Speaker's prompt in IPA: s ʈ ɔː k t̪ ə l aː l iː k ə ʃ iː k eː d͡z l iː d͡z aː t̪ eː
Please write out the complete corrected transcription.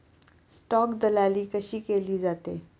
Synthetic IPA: s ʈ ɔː k d̪ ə l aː l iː k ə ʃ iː k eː l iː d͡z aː t̪ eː